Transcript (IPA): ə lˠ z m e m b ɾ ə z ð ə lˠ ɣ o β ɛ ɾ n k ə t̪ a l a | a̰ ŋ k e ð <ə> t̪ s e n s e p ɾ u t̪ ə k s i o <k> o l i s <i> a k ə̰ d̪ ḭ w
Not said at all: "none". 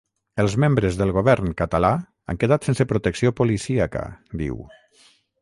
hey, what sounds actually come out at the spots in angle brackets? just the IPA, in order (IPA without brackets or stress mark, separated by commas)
a, p, i